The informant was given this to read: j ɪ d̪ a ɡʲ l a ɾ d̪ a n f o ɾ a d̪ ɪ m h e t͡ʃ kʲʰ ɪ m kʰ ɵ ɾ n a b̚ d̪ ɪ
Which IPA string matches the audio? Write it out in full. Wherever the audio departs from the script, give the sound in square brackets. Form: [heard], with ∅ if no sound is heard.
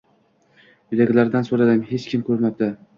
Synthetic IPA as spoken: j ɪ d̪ a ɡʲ l a ɾ d̪ a n [s] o ɾ a d̪ ɪ m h e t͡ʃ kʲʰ ɪ m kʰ ɵ ɾ [m] a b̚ d̪ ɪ